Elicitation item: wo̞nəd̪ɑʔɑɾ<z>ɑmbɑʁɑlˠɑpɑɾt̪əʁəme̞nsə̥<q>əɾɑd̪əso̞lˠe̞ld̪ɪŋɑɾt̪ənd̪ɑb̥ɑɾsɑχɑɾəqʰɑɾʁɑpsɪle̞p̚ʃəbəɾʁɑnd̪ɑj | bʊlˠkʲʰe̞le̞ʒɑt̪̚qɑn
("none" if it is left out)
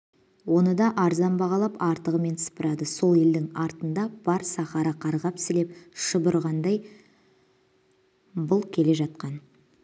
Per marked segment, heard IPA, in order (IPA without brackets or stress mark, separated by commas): z, p